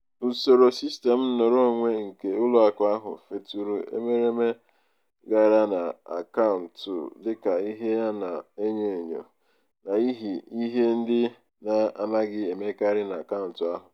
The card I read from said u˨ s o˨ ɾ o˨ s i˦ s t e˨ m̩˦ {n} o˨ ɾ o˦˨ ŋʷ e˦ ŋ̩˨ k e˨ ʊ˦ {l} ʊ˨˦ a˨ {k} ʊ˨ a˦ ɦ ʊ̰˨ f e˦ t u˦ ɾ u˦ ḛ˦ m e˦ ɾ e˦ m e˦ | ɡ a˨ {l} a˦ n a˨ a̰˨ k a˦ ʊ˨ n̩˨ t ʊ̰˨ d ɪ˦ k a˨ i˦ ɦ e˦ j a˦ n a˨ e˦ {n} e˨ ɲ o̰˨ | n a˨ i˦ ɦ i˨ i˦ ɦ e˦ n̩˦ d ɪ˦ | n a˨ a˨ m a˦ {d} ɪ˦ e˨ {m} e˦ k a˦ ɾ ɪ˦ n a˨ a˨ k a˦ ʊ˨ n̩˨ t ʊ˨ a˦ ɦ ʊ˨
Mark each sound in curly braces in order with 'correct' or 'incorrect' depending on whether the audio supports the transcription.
correct, correct, correct, incorrect: ɾ, incorrect: ɲ, incorrect: ɡ, correct

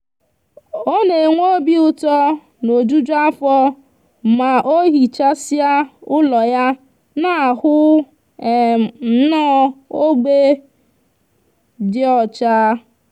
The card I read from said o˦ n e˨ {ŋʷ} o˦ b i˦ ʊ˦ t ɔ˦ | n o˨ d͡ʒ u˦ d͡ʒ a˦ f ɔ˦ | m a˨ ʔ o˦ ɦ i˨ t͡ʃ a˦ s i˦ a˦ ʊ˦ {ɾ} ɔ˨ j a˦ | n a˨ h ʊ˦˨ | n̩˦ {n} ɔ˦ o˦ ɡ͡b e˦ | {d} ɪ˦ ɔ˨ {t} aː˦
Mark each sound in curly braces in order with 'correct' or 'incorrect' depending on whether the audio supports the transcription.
correct, incorrect: l, correct, correct, incorrect: t͡ʃ

